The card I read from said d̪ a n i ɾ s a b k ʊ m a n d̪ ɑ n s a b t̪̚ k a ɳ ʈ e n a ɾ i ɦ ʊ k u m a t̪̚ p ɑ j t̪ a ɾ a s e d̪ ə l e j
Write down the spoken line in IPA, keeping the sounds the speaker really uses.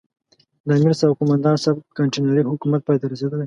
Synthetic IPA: d̪ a m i ɾ s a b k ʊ m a n d̪ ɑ n s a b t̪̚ k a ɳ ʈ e n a ɾ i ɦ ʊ k u m a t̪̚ p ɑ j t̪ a ɾ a s e d̪ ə l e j

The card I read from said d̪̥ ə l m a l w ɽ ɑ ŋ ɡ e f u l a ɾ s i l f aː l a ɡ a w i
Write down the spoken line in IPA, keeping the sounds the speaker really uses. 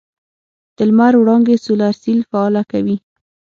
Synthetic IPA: d̪̥ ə l m a ɾ w ɽ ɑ ŋ ɡ e s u l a ɾ s i l f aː l a k a w i

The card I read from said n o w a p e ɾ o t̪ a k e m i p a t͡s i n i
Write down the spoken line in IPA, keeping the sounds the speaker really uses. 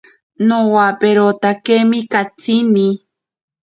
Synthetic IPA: n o w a p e ɾ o t̪ a k e m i k a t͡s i n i

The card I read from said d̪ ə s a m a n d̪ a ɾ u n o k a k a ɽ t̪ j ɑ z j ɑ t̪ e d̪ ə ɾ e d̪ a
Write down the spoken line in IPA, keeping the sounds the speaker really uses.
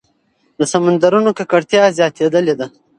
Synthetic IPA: d̪ ə s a m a n d̪ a ɾ u n o k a k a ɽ t̪ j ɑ z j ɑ t̪ e d̪ ə l e d̪ a

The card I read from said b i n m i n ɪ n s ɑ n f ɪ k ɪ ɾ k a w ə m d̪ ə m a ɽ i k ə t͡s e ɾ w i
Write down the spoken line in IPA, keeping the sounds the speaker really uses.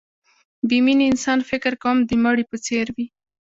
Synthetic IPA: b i m i n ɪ n s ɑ n f ɪ k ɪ ɾ k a w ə m d̪ ə m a ɽ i p ə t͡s e ɾ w i

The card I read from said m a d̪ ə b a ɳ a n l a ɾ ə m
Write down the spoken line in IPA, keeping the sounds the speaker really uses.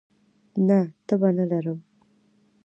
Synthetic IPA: n a t̪ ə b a n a l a ɾ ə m

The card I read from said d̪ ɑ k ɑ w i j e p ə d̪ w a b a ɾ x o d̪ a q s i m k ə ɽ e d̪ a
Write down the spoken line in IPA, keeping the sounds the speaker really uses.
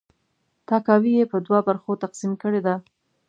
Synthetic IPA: t̪ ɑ k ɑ w i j e p ə d̪ w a b a ɾ x o t̪ a q s i m k ə ɽ e d̪ a

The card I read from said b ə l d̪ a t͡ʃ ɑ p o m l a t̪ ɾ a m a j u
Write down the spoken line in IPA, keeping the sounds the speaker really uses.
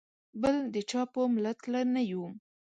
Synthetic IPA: b ə l d̪ ə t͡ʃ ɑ p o m l a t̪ l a n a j u

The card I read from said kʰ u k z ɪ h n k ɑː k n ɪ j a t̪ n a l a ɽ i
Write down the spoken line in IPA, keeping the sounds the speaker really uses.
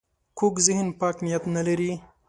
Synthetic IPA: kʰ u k z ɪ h n p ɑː k n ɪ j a t̪ n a l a ɾ i

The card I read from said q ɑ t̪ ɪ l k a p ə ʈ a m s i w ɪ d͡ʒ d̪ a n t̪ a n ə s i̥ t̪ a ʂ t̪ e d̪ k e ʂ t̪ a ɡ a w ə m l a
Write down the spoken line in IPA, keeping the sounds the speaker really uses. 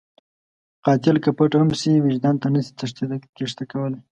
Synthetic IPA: q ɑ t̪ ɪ l k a p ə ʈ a m s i w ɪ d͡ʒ d̪ ɑ n t̪ a n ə s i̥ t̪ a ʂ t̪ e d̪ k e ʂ t̪ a k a w ə l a

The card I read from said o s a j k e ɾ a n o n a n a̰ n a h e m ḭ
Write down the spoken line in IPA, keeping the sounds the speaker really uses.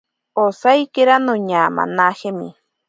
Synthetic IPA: o s a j k e ɾ a n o ɲ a m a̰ n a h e m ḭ

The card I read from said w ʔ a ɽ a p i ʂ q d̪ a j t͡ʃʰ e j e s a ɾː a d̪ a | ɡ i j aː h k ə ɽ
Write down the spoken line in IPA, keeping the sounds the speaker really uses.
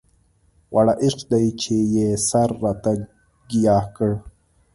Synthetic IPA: w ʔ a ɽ a ʔ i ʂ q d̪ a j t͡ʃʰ e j e s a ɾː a t̪ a | ɡ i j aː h k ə ɽ

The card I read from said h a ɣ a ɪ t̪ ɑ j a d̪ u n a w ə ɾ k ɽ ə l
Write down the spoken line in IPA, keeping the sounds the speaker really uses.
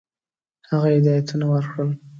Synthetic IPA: h a ɣ a ɪ d̪ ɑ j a t̪ u n a w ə ɾ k ɽ ə l

